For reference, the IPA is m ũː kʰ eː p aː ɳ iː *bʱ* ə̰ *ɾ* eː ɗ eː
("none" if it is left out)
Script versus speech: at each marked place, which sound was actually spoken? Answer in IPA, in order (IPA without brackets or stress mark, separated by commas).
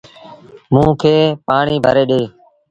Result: bʱ, ɾ